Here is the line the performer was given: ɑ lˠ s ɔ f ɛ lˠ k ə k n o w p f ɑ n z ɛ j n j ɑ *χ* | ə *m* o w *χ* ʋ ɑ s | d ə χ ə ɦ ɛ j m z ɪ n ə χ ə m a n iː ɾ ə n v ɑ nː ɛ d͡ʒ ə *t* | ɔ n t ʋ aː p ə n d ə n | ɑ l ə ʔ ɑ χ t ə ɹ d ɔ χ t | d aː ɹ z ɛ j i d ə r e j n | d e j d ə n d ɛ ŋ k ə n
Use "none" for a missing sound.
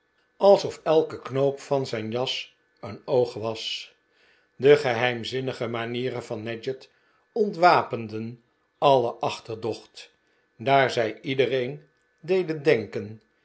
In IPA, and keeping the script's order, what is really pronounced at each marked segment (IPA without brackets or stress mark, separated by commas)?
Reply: s, n, χ, t